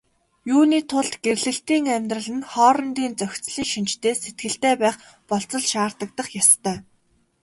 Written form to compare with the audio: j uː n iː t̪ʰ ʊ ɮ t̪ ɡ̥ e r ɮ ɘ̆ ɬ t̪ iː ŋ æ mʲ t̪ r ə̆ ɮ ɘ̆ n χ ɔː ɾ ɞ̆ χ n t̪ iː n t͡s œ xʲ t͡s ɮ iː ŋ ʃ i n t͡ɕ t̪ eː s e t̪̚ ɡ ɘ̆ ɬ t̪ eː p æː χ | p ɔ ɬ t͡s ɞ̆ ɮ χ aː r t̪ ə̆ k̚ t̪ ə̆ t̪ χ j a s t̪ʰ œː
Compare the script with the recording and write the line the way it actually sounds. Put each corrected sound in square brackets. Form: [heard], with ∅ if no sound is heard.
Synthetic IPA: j uː n iː t̪ʰ ʊ ɮ t̪ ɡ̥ e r ɮ ɘ̆ ɬ t̪ iː ŋ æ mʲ t̪ r ə̆ ɮ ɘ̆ n χ ɔː ɾ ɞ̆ [∅] n t̪ iː n t͡s œ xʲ t͡s ɮ iː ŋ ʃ i n t͡ɕ t̪ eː s e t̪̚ ɡ ɘ̆ ɬ t̪ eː p æː χ | p ɔ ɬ t͡s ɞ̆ ɮ [ʃ] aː r t̪ ə̆ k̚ t̪ ə̆ [∅] χ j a s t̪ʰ œː